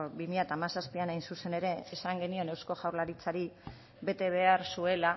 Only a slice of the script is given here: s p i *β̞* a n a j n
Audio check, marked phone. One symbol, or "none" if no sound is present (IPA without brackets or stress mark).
none